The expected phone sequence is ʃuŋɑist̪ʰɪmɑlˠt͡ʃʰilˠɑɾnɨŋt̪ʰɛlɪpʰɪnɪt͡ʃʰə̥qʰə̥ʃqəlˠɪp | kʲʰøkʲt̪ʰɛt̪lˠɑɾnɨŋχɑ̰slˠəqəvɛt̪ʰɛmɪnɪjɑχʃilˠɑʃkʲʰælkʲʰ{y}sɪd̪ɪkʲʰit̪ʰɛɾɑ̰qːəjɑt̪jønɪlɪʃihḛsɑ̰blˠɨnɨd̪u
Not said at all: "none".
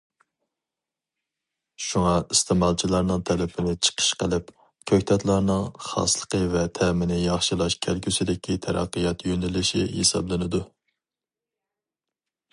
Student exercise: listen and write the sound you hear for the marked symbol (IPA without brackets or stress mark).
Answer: y